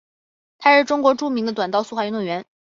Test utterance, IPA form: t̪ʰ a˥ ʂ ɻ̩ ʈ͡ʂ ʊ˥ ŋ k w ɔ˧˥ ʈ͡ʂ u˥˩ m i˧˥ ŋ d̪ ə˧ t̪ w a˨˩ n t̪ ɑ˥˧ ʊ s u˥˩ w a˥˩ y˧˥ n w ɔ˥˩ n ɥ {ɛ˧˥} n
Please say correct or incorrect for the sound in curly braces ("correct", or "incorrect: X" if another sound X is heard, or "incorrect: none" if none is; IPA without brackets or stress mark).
correct